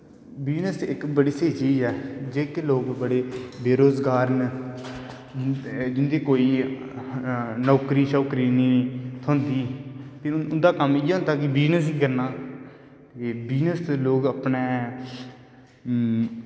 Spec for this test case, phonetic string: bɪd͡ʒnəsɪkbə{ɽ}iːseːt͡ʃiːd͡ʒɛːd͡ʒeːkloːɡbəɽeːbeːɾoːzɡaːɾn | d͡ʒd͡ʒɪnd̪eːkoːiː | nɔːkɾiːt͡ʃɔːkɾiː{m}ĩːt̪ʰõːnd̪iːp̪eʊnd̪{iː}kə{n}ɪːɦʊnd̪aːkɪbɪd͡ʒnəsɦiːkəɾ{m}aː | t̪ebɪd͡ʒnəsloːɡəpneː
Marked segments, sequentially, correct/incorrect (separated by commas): correct, incorrect, incorrect, incorrect, incorrect